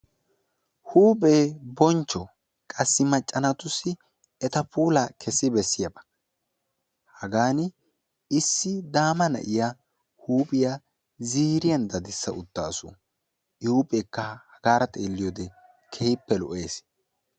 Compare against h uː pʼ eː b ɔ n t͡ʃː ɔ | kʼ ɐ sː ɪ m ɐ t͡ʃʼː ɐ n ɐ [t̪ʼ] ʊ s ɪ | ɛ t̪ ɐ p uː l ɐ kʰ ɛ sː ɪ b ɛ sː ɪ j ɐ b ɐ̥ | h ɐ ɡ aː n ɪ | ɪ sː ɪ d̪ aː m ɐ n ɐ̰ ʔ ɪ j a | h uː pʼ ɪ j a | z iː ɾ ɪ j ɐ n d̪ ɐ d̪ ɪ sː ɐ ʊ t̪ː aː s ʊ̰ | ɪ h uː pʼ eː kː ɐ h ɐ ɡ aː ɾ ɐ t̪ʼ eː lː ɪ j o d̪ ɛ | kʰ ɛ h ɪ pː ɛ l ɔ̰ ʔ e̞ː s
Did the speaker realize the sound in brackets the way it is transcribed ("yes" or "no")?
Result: no